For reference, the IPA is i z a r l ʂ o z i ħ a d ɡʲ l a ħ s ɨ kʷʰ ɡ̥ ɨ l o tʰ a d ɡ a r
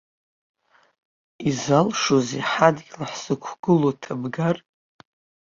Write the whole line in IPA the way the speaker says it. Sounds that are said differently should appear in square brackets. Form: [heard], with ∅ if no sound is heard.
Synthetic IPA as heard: i z a [∅] l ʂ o z i ħ a d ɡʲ l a ħ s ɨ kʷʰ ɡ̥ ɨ l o tʰ a [b] ɡ a r